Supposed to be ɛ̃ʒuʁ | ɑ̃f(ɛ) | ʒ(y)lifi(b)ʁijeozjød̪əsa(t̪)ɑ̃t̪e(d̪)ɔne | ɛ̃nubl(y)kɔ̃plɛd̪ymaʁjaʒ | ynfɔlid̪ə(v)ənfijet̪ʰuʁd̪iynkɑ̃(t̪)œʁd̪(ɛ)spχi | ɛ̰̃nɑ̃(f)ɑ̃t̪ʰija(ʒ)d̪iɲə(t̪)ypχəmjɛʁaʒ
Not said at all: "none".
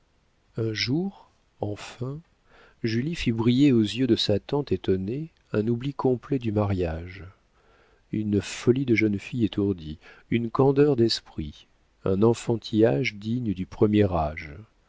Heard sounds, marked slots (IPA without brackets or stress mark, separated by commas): ɛ̃, y, b, t̪, t̪, i, ʒ, d̪, ɛ, f, ʒ, d̪